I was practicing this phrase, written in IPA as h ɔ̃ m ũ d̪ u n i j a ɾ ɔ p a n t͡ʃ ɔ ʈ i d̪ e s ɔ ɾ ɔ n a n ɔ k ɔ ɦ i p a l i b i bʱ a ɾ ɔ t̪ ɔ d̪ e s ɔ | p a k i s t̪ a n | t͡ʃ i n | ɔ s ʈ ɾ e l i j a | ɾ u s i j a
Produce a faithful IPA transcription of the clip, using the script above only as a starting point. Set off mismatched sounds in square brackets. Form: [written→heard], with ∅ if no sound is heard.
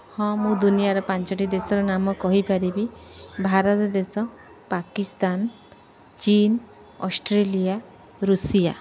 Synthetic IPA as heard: h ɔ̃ m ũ d̪ u n i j a ɾ ɔ p a n t͡ʃ ɔ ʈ i d̪ e s ɔ ɾ ɔ n a [n→m] ɔ k ɔ ɦ i p a [l→ɾ] i b i bʱ a ɾ ɔ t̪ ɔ d̪ e s ɔ | p a k i s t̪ a n | t͡ʃ i n | ɔ s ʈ ɾ e l i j a | ɾ u s i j a